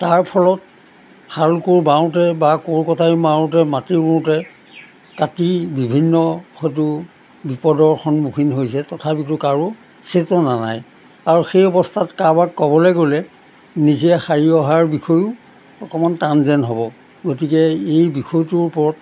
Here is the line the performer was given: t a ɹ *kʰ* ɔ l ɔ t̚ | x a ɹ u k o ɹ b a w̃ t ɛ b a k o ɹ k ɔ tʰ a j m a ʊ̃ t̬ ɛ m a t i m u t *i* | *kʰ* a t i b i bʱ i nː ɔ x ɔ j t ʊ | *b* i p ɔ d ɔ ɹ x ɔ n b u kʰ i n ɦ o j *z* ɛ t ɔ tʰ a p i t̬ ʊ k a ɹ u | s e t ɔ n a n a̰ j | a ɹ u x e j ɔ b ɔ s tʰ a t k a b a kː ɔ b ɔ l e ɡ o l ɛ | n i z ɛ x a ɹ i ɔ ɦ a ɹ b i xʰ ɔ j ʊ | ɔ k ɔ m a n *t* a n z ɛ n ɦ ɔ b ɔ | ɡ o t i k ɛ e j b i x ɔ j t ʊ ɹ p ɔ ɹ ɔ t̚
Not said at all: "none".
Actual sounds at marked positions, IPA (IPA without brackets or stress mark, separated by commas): pʰ, ɛ, k, b, s, t